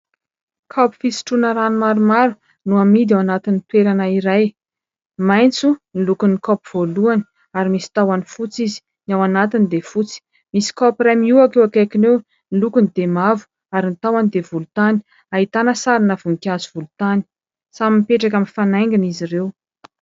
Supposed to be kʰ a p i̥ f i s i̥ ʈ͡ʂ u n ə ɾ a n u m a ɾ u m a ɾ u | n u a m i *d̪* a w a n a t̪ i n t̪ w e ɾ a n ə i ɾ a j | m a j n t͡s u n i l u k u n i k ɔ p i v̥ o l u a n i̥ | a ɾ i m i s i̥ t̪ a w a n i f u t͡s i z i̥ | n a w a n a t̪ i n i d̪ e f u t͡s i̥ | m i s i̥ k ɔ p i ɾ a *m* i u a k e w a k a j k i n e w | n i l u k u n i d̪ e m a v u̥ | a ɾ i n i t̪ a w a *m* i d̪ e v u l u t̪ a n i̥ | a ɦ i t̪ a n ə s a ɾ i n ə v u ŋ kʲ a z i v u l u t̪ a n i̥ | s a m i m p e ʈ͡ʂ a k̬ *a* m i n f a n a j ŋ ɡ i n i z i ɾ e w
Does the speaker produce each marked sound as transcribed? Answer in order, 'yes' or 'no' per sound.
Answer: yes, yes, no, yes

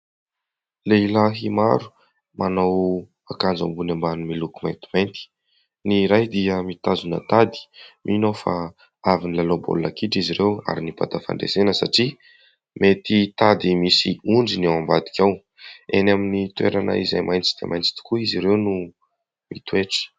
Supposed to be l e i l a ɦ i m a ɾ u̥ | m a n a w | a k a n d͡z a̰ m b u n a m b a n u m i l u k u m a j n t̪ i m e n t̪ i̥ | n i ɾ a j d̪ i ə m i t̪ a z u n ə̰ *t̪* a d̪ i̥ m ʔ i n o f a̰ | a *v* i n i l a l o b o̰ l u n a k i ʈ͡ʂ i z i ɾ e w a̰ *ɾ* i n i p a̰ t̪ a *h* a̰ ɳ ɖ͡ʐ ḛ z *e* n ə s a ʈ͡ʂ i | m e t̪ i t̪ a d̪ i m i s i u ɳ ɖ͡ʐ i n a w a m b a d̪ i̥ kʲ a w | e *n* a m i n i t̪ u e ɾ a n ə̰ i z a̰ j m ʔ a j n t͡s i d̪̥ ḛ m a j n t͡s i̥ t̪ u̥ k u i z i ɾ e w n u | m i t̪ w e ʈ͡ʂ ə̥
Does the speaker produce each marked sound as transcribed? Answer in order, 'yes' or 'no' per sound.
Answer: yes, yes, yes, no, yes, yes

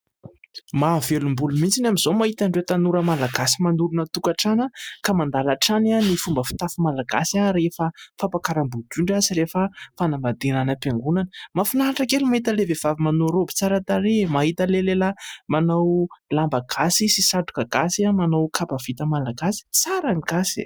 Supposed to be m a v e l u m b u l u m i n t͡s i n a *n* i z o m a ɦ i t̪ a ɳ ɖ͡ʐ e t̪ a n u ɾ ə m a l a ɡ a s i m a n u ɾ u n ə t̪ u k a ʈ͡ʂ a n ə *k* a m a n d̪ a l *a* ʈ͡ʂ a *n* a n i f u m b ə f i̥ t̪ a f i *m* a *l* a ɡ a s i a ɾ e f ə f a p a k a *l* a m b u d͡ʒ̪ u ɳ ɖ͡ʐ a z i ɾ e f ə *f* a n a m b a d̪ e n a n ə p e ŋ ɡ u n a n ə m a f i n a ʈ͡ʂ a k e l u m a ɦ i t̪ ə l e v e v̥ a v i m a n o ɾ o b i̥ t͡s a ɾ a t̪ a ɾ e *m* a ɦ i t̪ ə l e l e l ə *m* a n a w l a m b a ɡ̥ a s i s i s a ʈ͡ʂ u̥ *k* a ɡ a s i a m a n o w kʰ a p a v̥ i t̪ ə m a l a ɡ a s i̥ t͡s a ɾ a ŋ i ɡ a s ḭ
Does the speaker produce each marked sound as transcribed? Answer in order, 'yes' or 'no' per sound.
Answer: no, yes, yes, yes, yes, yes, no, yes, yes, yes, yes

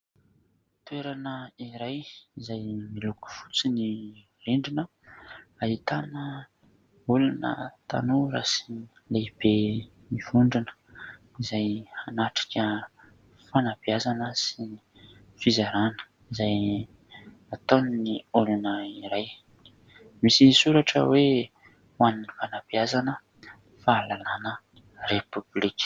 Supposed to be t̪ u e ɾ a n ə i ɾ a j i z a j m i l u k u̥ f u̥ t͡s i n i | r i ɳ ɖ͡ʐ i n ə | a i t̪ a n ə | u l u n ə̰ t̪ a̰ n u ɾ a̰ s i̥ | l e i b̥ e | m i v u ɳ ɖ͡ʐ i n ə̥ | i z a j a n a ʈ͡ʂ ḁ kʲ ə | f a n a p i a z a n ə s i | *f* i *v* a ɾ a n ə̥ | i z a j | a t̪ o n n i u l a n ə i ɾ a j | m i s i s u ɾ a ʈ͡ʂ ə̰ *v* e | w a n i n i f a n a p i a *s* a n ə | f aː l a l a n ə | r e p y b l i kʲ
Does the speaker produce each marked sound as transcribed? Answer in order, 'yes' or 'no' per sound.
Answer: yes, no, no, no

